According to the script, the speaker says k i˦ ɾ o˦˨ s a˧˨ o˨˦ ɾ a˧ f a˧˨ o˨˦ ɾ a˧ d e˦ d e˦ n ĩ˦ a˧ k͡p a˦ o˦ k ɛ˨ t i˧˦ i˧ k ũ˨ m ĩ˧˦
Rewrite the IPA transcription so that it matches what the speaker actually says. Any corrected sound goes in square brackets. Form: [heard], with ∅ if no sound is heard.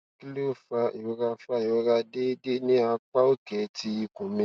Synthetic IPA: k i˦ [l] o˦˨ [f] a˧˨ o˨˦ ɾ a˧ f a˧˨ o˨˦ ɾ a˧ d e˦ d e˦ n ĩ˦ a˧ k͡p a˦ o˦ k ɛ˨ t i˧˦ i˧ k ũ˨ m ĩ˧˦